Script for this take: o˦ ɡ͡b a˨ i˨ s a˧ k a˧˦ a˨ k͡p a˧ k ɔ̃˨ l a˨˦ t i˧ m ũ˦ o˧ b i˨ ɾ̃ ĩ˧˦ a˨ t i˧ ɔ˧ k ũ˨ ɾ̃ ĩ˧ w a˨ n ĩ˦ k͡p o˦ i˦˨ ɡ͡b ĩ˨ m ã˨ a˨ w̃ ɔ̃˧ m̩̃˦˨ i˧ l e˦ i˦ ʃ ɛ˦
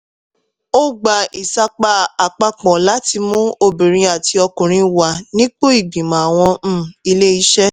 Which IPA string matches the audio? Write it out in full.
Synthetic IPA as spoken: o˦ ɡ͡b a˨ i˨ s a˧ k͡p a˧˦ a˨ k͡p a˧ k͡p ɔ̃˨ l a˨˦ t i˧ m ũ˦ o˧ b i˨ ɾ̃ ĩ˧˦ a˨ t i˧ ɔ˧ k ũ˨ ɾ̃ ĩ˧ w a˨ n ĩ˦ k͡p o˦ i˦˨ ɡ͡b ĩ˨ m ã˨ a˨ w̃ ɔ̃˧ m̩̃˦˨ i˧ l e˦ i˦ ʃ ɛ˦

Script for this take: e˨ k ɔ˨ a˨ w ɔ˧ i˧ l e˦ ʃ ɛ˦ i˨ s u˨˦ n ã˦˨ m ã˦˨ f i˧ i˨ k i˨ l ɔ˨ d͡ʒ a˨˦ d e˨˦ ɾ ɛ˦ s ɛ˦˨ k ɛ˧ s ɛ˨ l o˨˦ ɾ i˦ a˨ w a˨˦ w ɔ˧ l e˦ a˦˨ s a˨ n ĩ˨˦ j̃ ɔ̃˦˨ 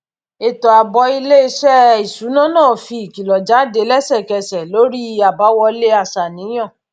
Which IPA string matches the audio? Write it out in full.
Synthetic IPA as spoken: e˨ t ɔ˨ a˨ b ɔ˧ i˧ l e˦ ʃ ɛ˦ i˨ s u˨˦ n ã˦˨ n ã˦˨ f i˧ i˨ k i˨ l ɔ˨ d͡ʒ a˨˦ d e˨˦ l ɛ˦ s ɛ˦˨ k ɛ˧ s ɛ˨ l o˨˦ ɾ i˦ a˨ b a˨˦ w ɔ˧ l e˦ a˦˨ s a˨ n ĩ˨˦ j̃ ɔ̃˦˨

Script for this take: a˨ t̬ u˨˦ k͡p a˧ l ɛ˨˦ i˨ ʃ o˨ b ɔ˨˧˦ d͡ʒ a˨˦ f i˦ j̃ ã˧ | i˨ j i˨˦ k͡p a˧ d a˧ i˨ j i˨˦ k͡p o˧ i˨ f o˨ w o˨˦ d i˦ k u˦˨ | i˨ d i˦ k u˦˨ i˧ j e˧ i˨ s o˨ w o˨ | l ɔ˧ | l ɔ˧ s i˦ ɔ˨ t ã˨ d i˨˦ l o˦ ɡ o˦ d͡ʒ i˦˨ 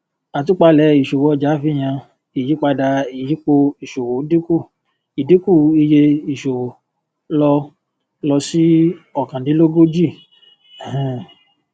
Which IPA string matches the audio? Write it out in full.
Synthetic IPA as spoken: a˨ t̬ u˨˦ k͡p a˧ l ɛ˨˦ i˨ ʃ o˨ w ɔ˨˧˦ d͡ʒ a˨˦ f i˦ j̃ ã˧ | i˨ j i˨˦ k͡p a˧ d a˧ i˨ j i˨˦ k͡p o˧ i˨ ʃ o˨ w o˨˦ d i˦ k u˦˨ | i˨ d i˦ k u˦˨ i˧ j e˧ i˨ ʃ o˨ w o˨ | l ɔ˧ | l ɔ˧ s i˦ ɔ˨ k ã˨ d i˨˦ l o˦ ɡ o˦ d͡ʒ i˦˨

